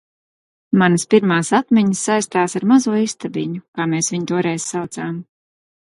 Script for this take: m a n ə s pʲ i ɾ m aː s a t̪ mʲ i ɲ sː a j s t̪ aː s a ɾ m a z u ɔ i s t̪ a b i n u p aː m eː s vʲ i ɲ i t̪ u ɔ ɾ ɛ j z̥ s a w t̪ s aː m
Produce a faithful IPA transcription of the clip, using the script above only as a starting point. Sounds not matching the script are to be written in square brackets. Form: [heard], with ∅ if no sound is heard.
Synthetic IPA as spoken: m a n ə s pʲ i ɾ m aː s a t̪ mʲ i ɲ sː a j s t̪ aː s a ɾ m a z u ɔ i s t̪ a b i [ɲ] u [k] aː m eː s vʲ i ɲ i t̪ u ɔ ɾ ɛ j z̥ s a w t̪ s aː m